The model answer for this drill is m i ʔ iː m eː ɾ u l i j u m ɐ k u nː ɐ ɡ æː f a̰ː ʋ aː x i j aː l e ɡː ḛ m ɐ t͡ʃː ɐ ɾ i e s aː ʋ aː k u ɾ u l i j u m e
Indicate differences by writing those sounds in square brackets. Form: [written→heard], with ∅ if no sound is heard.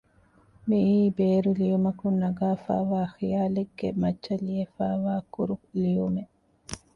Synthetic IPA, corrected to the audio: m i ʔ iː [m→b] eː ɾ u l i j u m ɐ k u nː ɐ ɡ [æː→aː] f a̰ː ʋ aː x i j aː l e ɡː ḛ m ɐ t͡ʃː ɐ [ɾ→l] i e [s→f] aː ʋ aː k u ɾ u l i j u m e